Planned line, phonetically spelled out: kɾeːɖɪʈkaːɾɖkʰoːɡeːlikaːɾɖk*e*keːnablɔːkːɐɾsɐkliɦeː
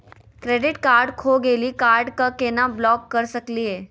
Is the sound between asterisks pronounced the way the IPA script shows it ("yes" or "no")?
no